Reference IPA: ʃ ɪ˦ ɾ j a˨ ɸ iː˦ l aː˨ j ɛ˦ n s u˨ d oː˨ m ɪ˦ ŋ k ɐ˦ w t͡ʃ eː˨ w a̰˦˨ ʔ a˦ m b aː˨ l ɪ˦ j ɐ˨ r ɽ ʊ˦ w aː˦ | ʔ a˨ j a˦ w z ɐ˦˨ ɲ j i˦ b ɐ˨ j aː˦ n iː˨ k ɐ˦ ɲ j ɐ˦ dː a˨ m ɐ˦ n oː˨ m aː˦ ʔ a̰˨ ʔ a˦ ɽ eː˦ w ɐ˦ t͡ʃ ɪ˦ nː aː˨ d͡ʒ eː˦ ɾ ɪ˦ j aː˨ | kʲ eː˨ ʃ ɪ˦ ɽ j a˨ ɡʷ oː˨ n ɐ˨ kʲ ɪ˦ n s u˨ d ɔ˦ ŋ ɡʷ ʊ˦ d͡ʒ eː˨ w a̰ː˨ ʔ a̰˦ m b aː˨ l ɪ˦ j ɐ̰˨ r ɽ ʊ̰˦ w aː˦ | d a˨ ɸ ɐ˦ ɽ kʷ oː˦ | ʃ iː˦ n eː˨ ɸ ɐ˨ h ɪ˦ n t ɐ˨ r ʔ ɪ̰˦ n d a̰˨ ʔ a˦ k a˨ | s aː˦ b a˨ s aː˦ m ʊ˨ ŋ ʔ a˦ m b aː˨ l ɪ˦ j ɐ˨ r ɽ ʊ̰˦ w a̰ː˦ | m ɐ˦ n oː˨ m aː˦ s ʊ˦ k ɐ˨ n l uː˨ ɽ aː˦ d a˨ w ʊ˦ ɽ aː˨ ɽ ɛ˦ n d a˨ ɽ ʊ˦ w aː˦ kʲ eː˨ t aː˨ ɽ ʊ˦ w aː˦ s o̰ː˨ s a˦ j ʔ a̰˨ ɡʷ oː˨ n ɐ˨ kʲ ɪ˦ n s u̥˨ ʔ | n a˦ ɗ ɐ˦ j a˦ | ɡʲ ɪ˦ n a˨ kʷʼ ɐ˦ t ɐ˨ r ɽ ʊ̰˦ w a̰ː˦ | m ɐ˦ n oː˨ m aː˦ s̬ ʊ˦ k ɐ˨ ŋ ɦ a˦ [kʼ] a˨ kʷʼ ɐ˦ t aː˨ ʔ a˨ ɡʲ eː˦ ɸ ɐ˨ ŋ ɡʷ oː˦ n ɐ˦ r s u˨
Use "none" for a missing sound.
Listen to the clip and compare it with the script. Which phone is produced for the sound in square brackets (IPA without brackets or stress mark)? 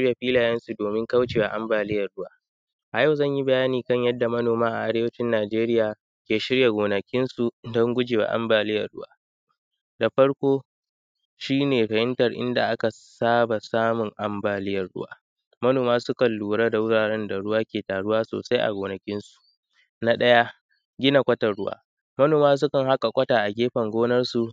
kʼ